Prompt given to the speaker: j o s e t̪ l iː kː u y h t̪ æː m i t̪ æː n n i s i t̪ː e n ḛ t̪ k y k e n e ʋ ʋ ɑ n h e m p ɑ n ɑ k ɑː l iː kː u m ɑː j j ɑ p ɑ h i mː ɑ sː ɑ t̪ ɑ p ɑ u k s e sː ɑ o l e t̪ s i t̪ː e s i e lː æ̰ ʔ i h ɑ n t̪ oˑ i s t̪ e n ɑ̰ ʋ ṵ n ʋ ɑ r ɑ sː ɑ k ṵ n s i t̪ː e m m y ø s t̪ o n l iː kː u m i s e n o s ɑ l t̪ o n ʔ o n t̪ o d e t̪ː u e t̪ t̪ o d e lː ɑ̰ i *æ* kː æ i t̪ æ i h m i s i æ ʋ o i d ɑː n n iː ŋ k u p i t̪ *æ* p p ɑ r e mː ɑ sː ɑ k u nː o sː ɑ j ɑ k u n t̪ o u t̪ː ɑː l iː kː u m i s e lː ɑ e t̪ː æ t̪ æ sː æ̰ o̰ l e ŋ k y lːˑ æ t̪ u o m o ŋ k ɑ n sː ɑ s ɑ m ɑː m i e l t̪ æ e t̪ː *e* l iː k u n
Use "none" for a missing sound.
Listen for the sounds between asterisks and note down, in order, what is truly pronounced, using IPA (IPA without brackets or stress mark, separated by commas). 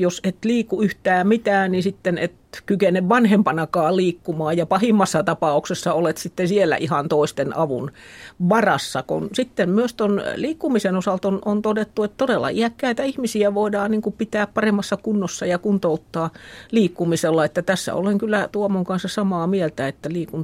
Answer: æ, æː, æ